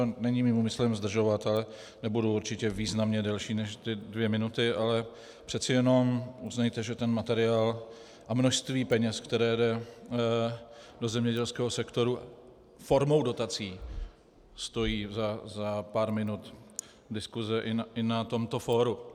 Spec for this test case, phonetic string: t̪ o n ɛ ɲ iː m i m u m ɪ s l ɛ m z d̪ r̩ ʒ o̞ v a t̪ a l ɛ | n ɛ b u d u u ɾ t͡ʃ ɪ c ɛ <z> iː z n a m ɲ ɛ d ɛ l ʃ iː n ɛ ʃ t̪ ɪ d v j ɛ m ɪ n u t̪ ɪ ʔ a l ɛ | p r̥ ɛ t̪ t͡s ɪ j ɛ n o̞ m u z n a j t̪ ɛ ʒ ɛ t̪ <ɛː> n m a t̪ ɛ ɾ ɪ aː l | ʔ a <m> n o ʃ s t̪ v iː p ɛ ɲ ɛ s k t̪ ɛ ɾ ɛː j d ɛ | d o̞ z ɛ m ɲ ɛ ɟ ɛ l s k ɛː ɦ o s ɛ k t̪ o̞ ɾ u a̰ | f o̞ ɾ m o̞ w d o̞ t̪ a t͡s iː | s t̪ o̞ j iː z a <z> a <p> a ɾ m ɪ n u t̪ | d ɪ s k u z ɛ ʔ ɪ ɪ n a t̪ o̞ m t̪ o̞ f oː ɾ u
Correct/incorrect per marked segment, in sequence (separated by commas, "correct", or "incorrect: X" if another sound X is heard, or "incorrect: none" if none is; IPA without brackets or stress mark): incorrect: v, incorrect: ɛ, correct, correct, correct